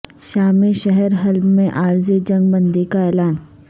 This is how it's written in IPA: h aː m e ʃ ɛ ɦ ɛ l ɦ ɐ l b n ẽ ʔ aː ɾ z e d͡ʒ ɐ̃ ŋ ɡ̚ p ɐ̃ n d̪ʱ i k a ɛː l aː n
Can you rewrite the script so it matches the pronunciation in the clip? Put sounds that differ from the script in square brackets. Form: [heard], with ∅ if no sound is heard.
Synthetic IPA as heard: [ʃ] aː m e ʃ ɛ ɦ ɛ [ɾ] ɦ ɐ l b [m] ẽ ʔ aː ɾ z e d͡ʒ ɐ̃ ŋ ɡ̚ [b] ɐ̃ n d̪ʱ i k a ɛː l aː n

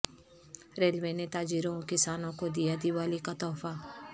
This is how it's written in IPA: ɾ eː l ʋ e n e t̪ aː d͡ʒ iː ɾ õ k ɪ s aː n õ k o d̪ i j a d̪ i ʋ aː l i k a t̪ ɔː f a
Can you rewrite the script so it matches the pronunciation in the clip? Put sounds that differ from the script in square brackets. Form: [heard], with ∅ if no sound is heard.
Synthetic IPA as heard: ɾ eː l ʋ e n e t̪ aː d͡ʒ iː ɾ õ k ɪ s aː n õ k o d̪ i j a d̪ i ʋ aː l i k a t̪ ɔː f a

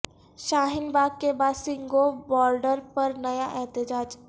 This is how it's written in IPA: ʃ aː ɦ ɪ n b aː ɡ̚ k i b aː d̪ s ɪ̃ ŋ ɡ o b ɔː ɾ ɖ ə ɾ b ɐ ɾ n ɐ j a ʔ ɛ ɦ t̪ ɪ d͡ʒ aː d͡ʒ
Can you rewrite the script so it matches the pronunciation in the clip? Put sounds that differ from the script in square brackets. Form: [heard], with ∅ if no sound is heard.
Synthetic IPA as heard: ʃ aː ɦ ɪ n b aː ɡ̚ k [e] b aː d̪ s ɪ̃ ŋ ɡ o b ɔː ɾ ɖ ə ɾ [p] ɐ ɾ n ɐ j a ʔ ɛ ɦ t̪ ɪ d͡ʒ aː d͡ʒ

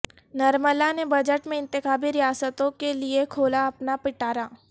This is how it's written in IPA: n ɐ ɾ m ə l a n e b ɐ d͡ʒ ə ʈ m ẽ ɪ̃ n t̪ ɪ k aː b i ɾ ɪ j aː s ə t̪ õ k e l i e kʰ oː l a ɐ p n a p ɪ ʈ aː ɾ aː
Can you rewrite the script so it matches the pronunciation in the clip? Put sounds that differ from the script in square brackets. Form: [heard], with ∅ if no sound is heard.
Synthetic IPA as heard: n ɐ ɾ m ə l a n e b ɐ d͡ʒ ə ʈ m ẽ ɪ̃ n t̪ ɪ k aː b i ɾ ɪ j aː s ə t̪ õ k e l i e kʰ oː l a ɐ p n a p ɪ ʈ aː ɾ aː

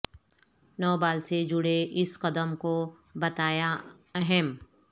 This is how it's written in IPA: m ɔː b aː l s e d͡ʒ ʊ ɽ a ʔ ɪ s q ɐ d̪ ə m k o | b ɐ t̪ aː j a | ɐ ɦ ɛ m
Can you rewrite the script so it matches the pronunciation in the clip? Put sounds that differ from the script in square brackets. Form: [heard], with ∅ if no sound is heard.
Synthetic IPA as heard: [n] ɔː b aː l s e d͡ʒ ʊ ɽ [e] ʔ ɪ s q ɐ d̪ ə m k o | b ɐ t̪ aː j a | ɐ ɦ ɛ m

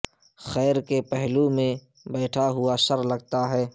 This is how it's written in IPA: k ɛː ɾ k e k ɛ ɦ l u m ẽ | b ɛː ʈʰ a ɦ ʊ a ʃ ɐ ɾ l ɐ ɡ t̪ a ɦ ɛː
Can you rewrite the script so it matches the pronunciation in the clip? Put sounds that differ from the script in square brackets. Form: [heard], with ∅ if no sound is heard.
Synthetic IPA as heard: [x] ɛː ɾ k e [p] ɛ ɦ l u m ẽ | b ɛː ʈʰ a ɦ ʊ a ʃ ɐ ɾ l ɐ ɡ t̪ a ɦ ɛː

